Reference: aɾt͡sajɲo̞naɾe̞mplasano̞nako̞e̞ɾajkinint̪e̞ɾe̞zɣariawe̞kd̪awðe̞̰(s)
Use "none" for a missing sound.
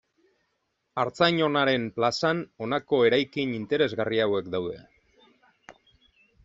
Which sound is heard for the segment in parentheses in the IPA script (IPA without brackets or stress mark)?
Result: none